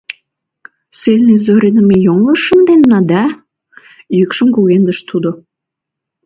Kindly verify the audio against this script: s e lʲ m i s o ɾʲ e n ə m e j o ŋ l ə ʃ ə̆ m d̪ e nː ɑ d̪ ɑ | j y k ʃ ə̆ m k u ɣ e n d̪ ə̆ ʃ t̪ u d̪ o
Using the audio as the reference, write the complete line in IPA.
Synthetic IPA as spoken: s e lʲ n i z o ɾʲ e n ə m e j o ŋ l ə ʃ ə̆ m d̪ e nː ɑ d̪ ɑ | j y k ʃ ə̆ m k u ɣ e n d̪ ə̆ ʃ t̪ u d̪ o